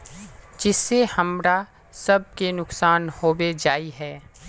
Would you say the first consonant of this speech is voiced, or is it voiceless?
voiced